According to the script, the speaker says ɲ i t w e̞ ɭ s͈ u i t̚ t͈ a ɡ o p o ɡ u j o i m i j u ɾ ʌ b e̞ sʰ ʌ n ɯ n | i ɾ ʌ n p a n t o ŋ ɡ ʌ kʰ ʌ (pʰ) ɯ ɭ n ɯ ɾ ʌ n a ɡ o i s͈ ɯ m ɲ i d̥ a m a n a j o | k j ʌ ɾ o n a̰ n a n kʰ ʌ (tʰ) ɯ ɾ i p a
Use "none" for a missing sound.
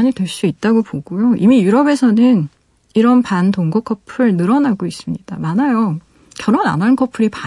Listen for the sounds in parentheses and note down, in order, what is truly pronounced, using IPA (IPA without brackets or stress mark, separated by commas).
pʰ, pʰ